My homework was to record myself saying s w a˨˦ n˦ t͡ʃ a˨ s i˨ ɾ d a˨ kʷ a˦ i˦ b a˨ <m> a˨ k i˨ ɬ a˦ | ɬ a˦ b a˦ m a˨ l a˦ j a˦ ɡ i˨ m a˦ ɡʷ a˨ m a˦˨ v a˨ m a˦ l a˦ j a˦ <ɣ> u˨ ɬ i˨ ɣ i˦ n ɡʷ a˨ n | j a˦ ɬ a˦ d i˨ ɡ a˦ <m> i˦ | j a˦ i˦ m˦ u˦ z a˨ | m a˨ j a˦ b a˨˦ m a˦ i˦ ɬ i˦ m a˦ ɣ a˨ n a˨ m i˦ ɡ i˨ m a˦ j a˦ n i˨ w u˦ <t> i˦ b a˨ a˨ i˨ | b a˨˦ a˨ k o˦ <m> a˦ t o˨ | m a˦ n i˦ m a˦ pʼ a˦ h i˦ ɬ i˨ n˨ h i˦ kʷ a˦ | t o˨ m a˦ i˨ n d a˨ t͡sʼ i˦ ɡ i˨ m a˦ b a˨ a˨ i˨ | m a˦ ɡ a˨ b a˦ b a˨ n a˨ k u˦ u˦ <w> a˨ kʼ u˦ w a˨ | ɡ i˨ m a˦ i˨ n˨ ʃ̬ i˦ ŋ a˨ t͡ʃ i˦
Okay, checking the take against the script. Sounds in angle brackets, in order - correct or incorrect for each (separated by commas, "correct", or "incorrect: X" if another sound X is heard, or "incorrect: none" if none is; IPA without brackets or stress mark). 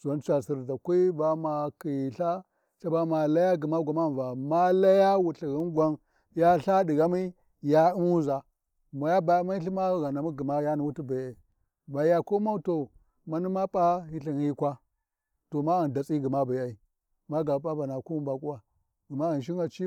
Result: correct, incorrect: w, correct, correct, correct, incorrect: b